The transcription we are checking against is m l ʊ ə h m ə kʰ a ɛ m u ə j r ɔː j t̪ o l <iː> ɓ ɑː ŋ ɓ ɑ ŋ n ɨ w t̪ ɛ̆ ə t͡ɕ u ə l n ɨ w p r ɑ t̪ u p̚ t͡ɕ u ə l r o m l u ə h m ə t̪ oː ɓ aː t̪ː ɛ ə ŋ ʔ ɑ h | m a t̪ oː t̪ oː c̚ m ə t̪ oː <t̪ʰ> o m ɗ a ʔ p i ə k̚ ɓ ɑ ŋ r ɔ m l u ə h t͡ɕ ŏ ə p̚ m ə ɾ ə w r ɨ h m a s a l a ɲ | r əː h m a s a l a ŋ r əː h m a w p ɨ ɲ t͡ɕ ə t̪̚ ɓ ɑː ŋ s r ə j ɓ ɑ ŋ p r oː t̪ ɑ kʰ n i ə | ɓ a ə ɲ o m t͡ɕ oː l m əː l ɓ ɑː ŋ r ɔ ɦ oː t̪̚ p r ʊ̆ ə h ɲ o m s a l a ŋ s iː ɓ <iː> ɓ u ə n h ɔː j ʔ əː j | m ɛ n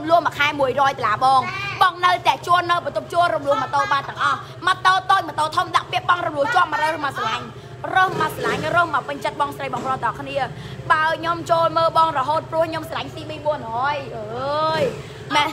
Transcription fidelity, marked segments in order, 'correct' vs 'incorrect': incorrect, correct, correct

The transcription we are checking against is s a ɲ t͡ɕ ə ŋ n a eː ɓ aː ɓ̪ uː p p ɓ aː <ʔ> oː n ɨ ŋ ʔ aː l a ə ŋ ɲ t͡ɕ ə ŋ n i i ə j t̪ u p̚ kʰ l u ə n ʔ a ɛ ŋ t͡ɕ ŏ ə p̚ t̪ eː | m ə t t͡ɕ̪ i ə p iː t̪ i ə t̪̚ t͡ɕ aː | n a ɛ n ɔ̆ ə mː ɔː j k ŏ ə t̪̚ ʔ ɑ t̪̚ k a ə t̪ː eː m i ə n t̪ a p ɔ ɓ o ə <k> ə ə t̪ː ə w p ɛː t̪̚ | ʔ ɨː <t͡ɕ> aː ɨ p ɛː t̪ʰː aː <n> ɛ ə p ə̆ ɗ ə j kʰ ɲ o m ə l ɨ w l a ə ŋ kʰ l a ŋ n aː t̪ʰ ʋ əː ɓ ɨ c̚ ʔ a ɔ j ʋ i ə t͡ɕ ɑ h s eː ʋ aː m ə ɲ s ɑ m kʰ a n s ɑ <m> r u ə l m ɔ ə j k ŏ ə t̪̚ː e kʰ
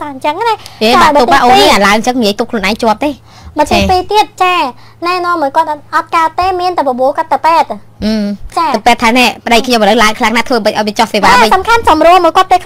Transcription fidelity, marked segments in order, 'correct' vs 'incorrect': correct, correct, correct, correct, correct

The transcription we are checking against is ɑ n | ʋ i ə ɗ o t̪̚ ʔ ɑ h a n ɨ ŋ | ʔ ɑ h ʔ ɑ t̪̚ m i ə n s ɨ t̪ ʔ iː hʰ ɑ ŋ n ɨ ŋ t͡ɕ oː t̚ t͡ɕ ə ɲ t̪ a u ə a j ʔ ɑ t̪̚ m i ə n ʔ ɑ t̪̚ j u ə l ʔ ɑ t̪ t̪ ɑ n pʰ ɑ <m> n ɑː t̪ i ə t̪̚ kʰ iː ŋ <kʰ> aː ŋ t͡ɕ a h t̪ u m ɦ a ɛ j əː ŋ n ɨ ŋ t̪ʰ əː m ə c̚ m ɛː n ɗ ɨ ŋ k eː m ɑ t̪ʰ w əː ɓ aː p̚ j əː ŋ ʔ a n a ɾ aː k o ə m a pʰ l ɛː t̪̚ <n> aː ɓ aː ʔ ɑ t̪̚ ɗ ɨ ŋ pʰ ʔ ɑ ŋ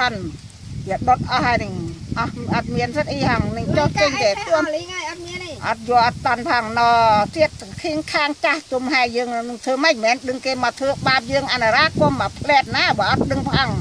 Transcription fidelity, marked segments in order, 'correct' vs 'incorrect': incorrect, correct, correct

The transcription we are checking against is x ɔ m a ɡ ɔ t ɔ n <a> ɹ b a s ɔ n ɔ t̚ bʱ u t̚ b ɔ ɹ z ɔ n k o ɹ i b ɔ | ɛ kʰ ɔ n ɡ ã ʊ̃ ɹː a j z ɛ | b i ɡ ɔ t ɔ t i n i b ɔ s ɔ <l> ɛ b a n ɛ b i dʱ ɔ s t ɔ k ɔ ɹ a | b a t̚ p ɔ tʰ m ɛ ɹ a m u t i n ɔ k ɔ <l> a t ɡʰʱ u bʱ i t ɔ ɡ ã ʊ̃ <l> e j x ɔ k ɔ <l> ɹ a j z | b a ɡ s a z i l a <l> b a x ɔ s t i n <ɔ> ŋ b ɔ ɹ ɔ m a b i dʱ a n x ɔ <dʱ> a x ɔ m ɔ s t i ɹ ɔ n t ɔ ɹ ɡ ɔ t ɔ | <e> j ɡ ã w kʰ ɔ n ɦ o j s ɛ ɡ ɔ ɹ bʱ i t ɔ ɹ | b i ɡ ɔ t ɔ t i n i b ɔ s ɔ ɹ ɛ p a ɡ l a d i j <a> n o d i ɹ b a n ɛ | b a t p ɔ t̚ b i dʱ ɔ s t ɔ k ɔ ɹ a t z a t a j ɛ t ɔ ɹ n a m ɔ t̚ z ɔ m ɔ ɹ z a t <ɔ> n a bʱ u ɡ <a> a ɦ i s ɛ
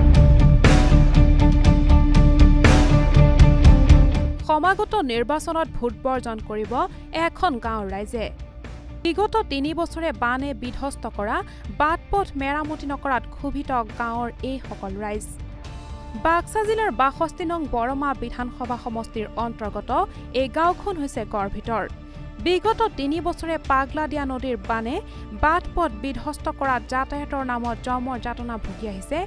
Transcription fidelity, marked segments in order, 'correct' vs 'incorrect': incorrect, incorrect, incorrect, incorrect, correct, incorrect, correct, incorrect, correct, correct, correct, incorrect

